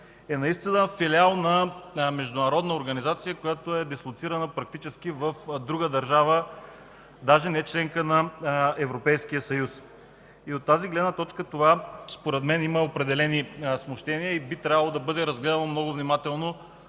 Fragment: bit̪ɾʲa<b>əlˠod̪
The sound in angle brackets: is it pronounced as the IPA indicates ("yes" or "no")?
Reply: no